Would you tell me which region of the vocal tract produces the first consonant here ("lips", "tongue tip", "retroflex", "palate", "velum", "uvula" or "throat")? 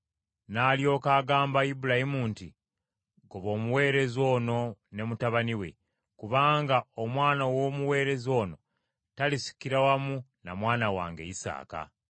tongue tip